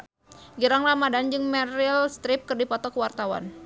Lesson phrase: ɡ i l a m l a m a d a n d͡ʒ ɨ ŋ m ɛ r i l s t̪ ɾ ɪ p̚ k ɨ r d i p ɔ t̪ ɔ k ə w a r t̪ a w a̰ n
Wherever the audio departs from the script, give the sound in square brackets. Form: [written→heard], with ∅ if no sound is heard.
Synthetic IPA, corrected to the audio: ɡ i [l→ɾ] a [m→ŋ] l a m a d a n d͡ʒ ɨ ŋ m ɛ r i l s t̪ ɾ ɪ p̚ k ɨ r d i p ɔ t̪ ɔ k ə w a r t̪ a w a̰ n